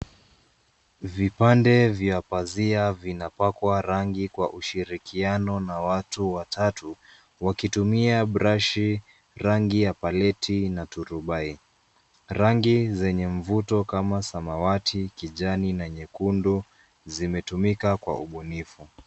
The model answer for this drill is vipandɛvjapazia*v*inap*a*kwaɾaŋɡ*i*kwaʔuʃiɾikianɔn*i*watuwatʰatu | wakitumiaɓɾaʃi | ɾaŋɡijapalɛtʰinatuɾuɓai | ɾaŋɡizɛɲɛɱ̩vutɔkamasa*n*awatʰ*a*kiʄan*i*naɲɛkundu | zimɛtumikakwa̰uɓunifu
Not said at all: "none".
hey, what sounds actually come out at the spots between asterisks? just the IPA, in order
v, a, i, a, m, i, i

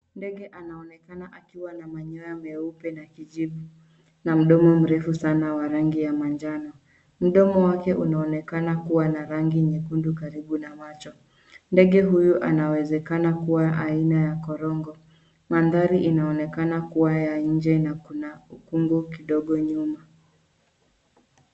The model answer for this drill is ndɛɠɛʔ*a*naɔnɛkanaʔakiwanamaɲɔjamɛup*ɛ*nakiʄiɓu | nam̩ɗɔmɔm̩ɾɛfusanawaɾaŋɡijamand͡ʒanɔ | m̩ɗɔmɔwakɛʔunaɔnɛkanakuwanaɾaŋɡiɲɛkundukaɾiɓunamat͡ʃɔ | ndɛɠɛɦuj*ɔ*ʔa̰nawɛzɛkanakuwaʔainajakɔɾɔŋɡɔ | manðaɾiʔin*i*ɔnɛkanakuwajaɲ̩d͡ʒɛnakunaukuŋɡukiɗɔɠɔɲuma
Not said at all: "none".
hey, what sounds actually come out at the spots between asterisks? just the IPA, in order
a, ɛ, u, a

